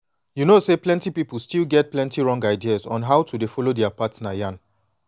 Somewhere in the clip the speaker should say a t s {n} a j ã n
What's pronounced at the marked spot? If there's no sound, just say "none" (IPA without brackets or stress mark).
n